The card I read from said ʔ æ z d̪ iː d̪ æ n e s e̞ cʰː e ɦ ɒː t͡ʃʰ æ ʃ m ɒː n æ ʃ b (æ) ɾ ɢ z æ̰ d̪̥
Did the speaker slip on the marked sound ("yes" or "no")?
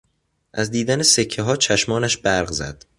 no